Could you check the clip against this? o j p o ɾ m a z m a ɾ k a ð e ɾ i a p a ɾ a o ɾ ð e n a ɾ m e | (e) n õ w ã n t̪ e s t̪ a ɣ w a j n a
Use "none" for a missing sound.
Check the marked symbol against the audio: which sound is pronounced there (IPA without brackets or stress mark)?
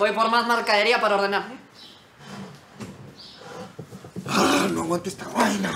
a